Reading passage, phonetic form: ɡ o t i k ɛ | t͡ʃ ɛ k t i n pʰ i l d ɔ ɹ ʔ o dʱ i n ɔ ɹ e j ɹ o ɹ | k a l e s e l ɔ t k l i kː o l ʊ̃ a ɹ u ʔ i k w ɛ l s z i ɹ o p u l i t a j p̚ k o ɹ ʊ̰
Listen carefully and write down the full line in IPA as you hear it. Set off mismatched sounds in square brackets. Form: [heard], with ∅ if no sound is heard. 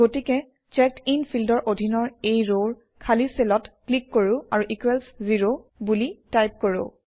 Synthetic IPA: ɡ o t i k ɛ | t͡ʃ ɛ k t i n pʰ i l d ɔ ɹ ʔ o dʱ i n ɔ ɹ e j ɹ o ɹ | [kʰ] a l [i] s e l ɔ t k l i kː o [ɹ] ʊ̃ a ɹ u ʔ i k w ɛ l s z i ɹ o [b] u l i t a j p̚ k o ɹ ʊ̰